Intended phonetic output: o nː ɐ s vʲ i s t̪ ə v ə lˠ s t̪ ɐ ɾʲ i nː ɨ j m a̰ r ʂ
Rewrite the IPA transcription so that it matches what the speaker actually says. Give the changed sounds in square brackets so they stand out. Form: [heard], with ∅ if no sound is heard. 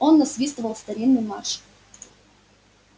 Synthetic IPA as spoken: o nː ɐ s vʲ i s t̪ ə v ə lˠ s t̪ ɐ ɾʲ i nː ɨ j m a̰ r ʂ